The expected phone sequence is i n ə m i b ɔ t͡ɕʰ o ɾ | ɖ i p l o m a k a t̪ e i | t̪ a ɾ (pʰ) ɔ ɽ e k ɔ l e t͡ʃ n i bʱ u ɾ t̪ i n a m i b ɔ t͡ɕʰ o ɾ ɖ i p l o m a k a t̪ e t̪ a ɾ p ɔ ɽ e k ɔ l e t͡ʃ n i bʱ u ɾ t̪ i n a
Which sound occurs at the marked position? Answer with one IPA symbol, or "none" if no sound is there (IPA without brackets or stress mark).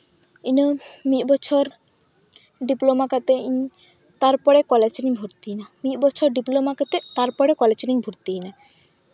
p